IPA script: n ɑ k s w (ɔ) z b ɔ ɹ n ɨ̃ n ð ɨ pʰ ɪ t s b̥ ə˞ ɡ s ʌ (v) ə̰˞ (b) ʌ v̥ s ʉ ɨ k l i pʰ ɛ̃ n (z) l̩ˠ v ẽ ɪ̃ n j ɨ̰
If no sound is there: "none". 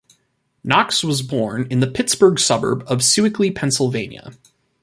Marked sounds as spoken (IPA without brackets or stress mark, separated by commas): ʌ, b, b, s